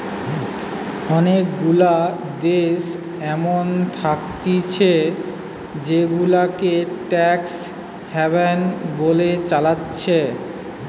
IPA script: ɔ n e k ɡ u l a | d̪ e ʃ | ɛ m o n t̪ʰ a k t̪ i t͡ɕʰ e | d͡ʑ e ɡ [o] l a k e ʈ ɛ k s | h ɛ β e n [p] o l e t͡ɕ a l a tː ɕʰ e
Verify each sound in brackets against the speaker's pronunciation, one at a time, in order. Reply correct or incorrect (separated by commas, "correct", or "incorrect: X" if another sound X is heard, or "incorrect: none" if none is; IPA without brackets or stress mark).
incorrect: u, incorrect: b